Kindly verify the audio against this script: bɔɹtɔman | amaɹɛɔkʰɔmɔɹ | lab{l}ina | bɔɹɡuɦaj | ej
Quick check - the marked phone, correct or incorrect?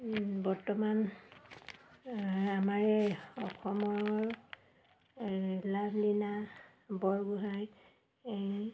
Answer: correct